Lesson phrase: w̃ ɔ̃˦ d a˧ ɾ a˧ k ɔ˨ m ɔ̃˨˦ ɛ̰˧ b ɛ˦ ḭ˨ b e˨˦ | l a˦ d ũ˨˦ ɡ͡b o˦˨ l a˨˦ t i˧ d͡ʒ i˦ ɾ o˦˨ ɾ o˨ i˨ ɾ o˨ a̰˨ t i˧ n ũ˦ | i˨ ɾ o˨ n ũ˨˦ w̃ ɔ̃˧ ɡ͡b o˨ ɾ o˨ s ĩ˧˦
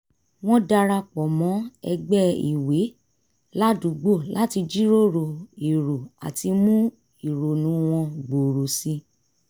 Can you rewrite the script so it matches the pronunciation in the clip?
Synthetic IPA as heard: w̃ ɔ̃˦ d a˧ ɾ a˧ k͡p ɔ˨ m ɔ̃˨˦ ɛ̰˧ ɡ͡b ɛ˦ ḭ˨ w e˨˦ | l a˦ d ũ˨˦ ɡ͡b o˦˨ l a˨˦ t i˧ d͡ʒ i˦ ɾ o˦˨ ɾ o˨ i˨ ɾ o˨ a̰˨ t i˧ m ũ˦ | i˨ ɾ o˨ n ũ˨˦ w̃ ɔ̃˧ ɡ͡b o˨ ɾ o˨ s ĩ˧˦